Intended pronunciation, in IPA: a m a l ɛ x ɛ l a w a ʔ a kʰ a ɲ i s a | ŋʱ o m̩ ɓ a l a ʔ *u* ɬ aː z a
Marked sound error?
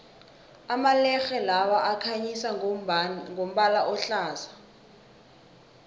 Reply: yes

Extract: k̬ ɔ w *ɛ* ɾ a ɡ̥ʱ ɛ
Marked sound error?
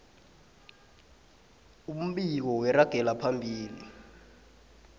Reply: no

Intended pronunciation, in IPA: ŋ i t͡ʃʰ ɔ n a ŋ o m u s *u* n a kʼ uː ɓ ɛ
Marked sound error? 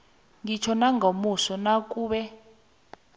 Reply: yes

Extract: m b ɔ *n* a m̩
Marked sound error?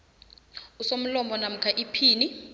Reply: no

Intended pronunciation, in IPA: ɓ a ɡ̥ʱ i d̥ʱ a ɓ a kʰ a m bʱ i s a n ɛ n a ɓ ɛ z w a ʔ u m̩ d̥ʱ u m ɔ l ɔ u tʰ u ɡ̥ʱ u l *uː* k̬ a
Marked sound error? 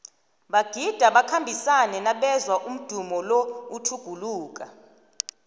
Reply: no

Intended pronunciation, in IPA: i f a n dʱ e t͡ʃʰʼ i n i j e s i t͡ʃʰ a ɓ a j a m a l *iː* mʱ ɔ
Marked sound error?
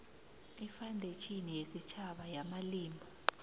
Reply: no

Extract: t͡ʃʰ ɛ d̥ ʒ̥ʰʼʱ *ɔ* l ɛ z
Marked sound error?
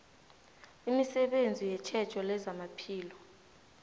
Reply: no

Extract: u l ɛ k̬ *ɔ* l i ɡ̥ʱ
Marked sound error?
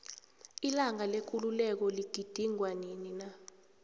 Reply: no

